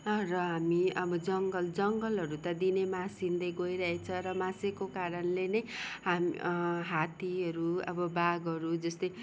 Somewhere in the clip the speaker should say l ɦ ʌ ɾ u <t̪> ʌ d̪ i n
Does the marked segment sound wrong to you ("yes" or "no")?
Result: no